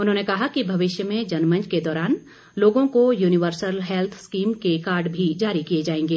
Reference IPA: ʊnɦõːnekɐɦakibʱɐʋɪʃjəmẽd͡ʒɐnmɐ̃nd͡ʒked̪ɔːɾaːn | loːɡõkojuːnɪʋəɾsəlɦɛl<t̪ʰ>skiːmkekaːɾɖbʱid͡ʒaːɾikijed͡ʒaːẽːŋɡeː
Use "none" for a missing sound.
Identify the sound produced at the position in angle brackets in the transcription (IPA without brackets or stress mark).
t̪ʰ